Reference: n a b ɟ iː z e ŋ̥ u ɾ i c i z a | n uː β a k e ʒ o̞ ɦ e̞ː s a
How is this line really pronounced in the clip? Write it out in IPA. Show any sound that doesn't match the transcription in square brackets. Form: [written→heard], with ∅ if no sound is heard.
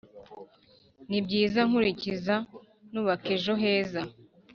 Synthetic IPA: n [a→i] b ɟ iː z [e→a] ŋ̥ u ɾ i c i z a | n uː β a k e ʒ o̞ ɦ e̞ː [s→z] a

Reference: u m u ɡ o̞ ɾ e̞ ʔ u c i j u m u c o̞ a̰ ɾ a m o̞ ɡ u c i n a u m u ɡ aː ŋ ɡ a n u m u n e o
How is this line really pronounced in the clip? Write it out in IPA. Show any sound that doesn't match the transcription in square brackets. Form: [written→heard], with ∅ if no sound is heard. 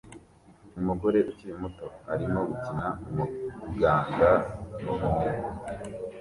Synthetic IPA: u m u ɡ o̞ ɾ e̞ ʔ u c i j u m u [c→t] o̞ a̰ ɾ [a→i] m o̞ ɡ u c i n a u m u ɡ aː ŋ ɡ a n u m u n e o

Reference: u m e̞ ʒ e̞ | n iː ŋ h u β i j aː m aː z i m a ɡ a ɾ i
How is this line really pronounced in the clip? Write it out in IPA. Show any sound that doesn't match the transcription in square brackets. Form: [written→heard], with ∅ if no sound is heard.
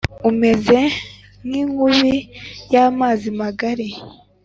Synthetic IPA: u m e̞ [ʒ→z] e̞ | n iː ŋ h u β i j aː m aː z i m a ɡ a ɾ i

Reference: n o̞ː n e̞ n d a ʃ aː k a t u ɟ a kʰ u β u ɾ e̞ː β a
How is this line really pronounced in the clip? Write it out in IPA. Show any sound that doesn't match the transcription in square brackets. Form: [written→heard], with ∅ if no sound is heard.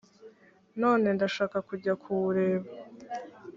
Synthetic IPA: n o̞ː n e̞ n d a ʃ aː k a [t→k] u ɟ a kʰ u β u ɾ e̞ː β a

